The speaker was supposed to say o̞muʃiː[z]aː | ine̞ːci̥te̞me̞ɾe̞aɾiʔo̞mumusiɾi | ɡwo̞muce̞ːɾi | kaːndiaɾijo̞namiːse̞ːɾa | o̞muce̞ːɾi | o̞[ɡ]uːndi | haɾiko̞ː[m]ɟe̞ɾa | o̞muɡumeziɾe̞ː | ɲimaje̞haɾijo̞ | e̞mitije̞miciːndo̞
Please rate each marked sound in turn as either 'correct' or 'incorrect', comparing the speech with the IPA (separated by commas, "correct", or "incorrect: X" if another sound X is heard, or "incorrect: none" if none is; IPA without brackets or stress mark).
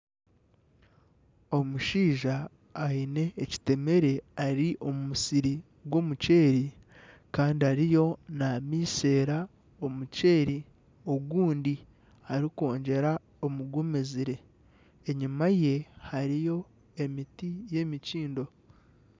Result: incorrect: ʒ, correct, incorrect: ɲ